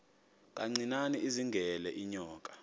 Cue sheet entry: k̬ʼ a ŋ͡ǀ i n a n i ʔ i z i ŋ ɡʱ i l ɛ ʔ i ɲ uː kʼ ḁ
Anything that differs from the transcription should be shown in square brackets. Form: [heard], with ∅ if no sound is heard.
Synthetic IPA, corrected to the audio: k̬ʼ a ŋ͡ǀ i n a n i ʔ i z i ŋ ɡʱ [ɛ] l ɛ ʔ i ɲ [ɔː] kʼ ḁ